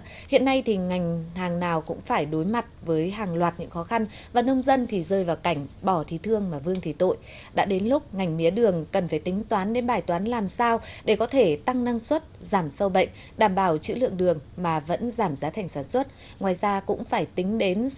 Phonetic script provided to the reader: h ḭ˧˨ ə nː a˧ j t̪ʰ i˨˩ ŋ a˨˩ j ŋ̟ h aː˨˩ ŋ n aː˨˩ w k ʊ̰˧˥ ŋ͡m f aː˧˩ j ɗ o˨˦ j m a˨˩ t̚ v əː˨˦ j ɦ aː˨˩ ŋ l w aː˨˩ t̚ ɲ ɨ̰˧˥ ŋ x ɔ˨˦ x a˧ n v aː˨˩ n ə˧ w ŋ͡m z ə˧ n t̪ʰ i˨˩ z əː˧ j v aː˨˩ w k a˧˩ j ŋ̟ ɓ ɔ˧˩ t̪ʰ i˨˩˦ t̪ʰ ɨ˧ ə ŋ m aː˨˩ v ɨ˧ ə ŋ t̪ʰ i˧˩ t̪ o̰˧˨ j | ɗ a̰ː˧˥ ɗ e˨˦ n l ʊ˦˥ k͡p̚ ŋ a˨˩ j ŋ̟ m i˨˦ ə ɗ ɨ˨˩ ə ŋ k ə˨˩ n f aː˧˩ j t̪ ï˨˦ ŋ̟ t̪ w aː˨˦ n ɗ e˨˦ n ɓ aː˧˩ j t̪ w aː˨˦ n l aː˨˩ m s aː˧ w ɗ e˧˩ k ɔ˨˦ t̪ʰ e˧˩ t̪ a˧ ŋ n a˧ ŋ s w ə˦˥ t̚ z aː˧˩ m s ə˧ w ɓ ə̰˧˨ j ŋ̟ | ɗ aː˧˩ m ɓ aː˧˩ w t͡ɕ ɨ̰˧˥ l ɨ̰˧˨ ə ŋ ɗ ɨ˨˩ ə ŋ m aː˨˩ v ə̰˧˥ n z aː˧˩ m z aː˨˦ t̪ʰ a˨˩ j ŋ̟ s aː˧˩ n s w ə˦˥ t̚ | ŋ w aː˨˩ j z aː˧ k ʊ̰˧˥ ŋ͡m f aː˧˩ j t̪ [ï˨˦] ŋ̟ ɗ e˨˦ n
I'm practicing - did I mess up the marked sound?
no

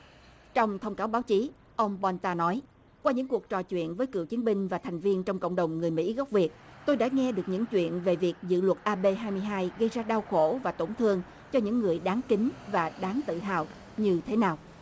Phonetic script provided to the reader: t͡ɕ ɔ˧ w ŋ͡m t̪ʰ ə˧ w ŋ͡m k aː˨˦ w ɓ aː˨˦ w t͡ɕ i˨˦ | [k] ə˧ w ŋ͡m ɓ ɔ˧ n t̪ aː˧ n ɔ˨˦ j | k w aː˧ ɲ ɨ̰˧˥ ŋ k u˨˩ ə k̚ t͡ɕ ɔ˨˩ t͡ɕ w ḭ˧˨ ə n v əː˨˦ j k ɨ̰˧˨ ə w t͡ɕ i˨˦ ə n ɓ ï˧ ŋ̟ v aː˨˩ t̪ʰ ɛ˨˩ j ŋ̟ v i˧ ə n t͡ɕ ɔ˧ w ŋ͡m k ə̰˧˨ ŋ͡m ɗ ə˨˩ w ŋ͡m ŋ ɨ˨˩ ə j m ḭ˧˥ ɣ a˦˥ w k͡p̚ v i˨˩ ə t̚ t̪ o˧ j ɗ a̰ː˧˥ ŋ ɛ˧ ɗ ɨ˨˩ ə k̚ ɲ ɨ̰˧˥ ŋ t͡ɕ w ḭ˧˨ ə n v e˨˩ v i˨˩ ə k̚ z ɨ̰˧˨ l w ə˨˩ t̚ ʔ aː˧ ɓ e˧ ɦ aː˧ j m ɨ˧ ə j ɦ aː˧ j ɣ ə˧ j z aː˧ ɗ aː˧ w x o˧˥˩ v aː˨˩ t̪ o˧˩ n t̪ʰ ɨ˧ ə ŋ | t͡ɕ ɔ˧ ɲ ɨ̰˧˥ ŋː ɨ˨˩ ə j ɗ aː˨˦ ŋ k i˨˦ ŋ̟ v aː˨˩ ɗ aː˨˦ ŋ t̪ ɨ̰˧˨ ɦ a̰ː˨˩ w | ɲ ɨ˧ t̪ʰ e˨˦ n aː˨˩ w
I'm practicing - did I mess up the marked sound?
yes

